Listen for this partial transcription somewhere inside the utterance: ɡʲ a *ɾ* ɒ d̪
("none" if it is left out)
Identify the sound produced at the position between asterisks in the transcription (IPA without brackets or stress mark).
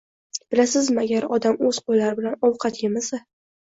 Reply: ɾ